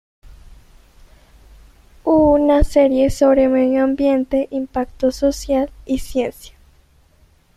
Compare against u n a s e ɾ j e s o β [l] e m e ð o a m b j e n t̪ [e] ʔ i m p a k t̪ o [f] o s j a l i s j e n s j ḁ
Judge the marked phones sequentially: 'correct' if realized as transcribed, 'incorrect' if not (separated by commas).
incorrect, correct, incorrect